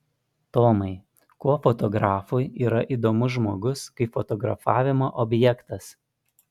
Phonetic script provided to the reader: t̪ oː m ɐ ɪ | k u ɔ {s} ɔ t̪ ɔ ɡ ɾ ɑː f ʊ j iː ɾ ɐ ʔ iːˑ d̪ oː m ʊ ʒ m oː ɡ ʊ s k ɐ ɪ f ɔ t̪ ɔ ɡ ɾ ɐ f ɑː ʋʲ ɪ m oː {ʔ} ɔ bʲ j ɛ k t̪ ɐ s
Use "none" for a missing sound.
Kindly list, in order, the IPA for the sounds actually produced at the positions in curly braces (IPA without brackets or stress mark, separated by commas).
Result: f, ʔ